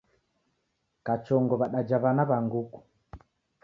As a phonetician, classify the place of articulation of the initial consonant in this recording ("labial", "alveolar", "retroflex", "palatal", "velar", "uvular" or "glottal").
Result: velar